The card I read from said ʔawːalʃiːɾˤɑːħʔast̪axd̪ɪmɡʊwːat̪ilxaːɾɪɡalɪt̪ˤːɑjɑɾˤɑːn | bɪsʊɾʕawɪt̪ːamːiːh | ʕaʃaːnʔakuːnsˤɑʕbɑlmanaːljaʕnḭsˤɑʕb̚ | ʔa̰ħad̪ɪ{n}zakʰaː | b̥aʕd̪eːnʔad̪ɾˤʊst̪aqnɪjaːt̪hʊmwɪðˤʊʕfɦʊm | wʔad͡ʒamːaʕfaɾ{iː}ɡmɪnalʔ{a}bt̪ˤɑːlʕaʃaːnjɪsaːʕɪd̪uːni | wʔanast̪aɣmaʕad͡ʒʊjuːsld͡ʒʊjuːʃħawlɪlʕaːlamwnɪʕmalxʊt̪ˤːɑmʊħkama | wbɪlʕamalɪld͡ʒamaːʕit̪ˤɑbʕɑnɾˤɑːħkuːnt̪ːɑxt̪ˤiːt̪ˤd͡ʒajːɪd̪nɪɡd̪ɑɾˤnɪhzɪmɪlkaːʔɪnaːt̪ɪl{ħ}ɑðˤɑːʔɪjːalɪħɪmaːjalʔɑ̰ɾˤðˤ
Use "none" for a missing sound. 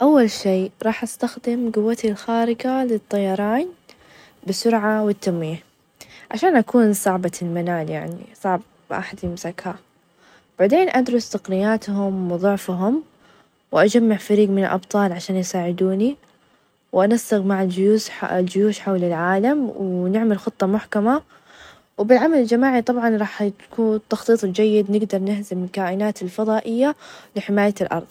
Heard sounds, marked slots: m, iː, ɑ, f

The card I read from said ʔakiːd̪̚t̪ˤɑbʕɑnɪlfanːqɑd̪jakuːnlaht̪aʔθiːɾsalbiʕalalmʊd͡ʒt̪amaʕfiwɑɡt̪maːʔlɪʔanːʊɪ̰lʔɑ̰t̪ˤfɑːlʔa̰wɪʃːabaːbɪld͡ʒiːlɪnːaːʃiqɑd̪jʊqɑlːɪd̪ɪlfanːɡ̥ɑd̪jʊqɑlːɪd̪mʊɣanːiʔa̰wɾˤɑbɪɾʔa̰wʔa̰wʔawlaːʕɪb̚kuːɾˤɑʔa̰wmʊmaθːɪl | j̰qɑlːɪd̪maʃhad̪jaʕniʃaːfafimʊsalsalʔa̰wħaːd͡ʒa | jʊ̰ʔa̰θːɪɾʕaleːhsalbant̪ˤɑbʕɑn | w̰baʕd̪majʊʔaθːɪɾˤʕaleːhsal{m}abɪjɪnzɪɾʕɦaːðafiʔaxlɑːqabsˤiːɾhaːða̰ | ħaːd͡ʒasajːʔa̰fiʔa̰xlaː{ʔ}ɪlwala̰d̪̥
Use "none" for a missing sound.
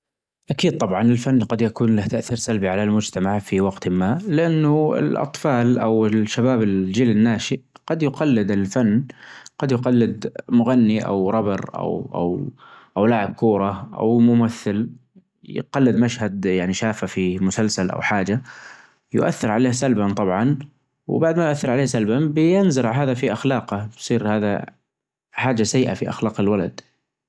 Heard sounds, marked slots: b, q

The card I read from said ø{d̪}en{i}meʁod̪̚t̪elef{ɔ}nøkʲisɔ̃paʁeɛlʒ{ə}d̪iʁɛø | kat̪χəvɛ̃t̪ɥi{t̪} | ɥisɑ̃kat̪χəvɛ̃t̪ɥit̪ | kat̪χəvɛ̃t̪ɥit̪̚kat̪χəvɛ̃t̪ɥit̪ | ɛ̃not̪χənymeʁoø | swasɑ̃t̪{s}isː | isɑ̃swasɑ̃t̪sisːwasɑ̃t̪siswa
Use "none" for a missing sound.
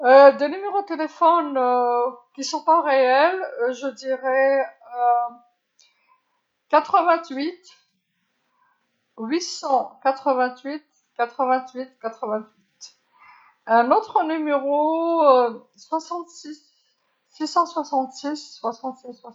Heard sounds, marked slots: d̪, y, ɔ, ə, t̪, s

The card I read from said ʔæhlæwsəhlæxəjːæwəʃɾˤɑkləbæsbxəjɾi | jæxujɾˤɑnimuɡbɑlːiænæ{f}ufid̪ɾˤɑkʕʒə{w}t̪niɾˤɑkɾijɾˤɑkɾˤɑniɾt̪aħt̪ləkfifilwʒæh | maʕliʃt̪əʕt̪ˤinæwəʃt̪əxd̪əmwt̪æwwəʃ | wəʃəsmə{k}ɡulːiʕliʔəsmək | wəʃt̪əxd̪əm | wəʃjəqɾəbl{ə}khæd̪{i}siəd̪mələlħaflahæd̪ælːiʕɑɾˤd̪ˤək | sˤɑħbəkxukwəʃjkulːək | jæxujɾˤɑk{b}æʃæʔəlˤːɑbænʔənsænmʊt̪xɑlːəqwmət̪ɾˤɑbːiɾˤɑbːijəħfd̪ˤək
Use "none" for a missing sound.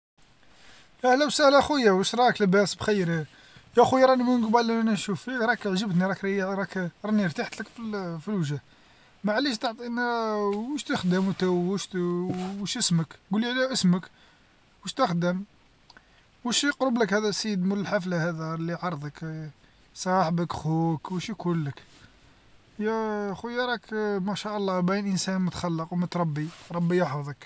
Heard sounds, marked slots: ʃ, b, k, ə, æ, m

